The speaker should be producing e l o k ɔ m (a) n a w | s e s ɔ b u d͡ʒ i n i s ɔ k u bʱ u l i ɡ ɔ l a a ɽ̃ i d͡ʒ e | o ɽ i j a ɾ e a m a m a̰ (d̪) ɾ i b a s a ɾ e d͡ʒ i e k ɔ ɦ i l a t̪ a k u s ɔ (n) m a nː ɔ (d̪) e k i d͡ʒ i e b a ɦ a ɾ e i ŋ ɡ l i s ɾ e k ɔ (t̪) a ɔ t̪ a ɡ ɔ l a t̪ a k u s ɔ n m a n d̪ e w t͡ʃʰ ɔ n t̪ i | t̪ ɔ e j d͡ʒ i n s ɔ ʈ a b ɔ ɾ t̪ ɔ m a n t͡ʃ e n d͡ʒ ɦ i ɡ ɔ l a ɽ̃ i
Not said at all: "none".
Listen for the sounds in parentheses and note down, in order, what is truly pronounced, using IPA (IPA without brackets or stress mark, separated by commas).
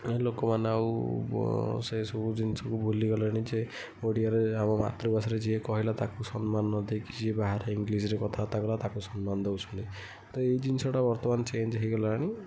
a, t̪, n, d̪, t̪ʰ